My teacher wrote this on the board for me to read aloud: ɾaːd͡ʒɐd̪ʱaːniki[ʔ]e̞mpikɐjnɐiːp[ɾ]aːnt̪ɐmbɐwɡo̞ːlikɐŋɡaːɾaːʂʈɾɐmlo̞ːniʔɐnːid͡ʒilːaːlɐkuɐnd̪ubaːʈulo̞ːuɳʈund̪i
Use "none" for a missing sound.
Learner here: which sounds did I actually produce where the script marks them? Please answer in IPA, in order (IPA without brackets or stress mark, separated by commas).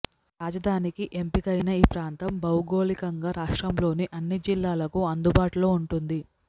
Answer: ʔ, ɾ